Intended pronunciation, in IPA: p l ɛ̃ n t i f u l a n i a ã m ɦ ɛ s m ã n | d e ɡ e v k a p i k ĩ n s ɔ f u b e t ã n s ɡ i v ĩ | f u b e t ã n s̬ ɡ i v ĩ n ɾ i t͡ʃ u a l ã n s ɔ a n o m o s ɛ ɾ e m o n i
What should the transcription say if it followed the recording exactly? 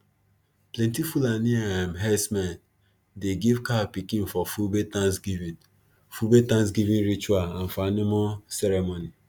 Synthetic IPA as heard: p l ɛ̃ n t i f u l a n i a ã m ɦ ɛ s m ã n | d e ɡ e v k a p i k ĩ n f ɔ f u b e t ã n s ɡ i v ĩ | f u b e t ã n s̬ ɡ i v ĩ n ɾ i t͡ʃ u a l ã n f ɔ a n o m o s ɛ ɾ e m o n i